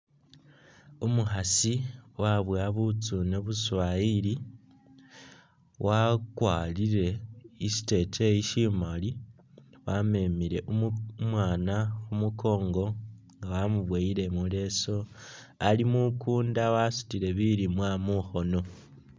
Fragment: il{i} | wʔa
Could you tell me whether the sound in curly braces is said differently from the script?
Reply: no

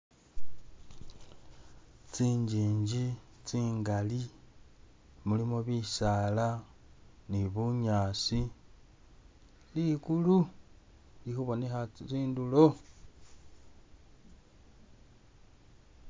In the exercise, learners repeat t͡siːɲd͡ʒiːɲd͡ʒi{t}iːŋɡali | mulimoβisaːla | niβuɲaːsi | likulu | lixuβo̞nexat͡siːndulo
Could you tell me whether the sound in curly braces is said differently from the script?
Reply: yes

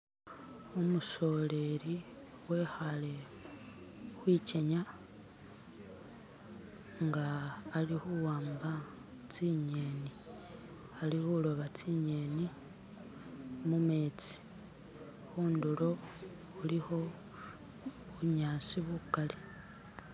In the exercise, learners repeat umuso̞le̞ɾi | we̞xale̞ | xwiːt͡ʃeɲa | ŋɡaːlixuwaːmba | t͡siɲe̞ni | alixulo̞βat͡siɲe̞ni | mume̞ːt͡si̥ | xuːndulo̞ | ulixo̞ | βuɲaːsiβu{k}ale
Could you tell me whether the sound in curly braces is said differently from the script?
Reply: no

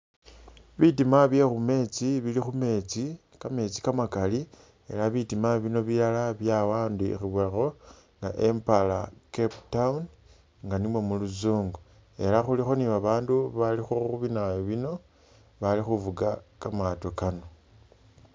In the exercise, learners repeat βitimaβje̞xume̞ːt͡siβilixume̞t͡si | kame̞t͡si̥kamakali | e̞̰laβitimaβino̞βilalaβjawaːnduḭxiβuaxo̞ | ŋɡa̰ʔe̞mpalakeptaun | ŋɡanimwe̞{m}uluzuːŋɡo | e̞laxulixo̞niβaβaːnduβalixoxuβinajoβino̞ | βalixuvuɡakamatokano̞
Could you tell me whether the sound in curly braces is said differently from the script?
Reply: no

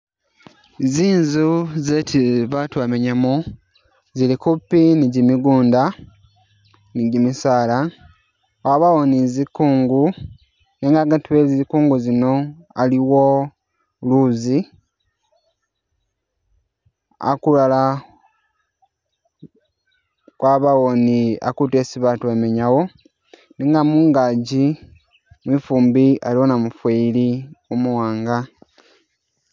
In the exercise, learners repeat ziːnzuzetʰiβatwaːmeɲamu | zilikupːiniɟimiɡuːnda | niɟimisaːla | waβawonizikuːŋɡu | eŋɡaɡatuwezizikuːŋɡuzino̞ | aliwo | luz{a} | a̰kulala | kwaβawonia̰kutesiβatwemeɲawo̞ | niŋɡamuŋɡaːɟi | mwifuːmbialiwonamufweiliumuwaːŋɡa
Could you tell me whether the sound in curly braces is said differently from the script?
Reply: yes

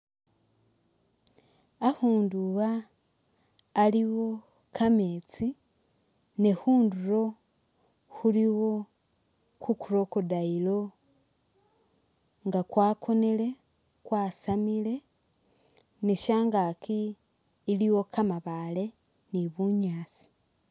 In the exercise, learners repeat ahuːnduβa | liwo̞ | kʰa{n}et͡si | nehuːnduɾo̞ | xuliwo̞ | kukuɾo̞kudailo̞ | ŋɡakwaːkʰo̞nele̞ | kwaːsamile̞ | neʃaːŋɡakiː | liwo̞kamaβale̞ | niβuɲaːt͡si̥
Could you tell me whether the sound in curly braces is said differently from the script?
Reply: yes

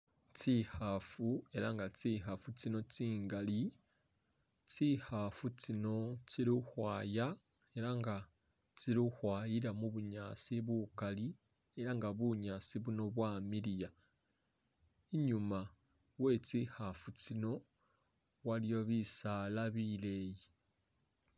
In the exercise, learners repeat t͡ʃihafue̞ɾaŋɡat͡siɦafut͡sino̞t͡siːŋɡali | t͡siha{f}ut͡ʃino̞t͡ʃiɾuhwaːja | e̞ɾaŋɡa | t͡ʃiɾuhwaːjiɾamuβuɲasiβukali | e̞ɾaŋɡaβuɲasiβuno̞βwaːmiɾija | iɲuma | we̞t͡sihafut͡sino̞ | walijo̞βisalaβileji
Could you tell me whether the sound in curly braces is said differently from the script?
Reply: no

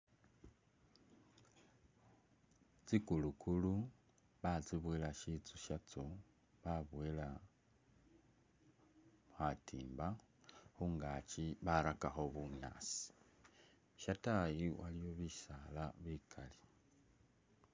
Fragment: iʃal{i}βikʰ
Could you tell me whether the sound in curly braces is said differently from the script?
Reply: yes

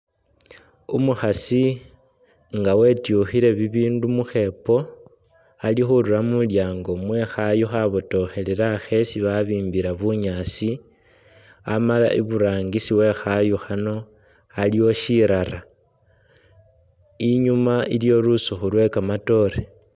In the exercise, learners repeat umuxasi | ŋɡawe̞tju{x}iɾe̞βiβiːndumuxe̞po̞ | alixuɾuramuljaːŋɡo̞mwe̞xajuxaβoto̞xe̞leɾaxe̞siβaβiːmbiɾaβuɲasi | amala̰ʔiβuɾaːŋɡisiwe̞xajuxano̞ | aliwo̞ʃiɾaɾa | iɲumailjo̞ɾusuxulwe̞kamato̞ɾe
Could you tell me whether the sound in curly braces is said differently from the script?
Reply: no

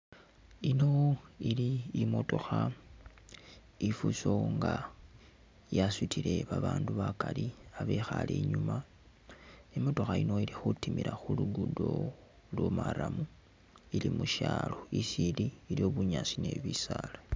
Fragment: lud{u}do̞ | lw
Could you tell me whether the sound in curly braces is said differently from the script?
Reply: no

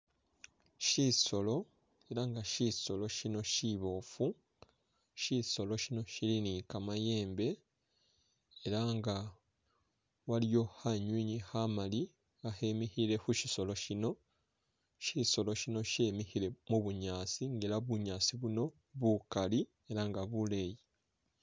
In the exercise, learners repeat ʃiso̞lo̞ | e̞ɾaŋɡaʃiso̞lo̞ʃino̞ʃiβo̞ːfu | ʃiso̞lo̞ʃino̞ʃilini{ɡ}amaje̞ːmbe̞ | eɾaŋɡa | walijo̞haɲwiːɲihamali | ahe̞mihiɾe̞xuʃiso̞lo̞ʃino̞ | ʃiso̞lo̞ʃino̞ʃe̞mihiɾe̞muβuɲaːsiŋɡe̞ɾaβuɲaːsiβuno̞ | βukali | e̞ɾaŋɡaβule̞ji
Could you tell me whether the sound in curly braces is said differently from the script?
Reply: yes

